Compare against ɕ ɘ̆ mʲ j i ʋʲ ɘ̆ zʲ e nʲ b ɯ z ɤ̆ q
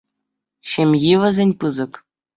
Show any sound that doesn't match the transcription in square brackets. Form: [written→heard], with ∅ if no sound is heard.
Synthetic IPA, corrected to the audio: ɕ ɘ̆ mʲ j i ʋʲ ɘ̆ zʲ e nʲ [b→p] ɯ z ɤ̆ [q→k]